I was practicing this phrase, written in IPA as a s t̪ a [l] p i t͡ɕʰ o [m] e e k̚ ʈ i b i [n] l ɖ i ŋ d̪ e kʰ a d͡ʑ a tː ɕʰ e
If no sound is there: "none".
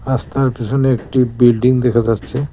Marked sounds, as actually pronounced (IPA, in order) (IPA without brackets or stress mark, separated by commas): ɾ, n, none